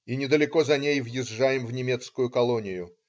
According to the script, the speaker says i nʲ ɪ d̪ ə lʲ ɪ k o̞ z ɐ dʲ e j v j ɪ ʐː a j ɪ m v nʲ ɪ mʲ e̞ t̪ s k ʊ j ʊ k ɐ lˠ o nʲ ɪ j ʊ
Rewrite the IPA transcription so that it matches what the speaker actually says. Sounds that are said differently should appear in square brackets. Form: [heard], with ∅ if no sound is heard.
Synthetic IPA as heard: i nʲ ɪ d̪ ə lʲ ɪ k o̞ z ɐ [nʲ] e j v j ɪ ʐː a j ɪ m v nʲ ɪ mʲ e̞ t̪ s k ʊ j ʊ k ɐ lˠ o nʲ ɪ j ʊ